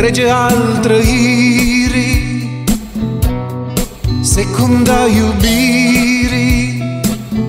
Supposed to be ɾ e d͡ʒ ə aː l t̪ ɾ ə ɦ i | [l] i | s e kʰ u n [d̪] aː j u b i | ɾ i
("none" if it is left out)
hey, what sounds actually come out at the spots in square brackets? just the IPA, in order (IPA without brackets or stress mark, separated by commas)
ɾ, d̪